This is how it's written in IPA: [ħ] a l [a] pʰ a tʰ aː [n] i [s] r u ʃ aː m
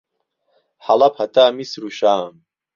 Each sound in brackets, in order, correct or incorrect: correct, correct, incorrect: m, correct

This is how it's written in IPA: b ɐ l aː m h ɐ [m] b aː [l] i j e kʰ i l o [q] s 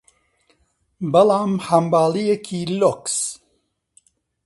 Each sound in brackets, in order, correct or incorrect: correct, correct, incorrect: k

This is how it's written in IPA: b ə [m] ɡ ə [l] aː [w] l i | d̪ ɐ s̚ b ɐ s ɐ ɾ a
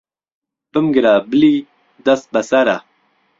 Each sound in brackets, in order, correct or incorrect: correct, incorrect: ɾ, incorrect: b

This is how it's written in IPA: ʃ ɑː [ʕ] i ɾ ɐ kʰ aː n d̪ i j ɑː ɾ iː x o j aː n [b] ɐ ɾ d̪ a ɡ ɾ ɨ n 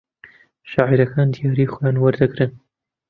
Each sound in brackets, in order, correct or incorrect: correct, incorrect: w

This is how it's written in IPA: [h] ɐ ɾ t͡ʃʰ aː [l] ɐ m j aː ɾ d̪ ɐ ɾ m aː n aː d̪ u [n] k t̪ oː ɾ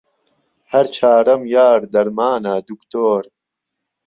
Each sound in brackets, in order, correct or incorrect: correct, incorrect: ɾ, incorrect: none

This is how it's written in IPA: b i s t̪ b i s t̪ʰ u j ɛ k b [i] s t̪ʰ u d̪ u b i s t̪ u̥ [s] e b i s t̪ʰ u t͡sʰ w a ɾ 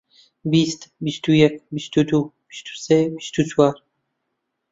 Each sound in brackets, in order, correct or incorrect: correct, correct

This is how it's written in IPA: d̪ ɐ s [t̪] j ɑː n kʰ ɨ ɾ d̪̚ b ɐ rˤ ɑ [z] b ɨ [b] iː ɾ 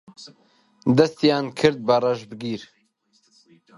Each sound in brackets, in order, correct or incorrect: correct, incorrect: ʒ, incorrect: ɡ

